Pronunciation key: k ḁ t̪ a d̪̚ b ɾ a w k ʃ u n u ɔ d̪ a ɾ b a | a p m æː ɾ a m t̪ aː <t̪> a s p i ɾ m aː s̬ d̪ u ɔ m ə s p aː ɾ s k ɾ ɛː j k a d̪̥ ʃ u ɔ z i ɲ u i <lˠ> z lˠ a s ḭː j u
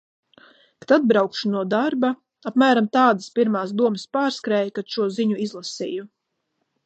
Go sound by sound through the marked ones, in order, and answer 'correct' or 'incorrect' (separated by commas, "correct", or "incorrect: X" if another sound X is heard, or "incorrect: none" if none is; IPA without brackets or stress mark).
incorrect: d̪, incorrect: none